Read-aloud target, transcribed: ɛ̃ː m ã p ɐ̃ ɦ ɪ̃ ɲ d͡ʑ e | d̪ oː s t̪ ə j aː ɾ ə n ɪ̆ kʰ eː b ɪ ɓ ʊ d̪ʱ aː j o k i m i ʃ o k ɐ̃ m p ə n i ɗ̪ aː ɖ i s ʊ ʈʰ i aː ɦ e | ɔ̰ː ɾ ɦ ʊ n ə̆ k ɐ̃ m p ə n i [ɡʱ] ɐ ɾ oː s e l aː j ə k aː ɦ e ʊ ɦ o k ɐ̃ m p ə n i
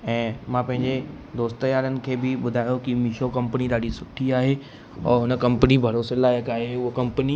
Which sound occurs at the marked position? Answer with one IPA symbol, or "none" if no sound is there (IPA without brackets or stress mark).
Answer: bʱ